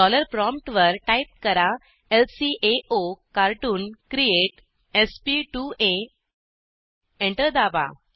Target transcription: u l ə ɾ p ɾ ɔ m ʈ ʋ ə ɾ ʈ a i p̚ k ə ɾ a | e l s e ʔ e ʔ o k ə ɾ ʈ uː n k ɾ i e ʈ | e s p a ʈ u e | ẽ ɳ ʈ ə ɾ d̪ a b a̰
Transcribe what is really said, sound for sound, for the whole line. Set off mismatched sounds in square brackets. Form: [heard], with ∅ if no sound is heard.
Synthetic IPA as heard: [ɔ] l ə ɾ p ɾ ɔ m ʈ ʋ ə ɾ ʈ a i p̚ k ə ɾ a | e l s [i] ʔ e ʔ o k [a] ɾ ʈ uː n k ɾ i e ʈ | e s p [i] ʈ u e | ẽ ɳ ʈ ə ɾ d̪ a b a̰